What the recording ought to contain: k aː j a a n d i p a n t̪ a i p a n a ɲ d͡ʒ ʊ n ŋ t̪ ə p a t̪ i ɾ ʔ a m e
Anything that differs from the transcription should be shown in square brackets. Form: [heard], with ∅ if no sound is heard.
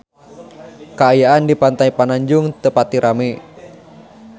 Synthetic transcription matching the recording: k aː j a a n d i p a n t̪ a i p a n a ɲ d͡ʒ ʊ [∅] ŋ t̪ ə p a t̪ i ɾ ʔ a m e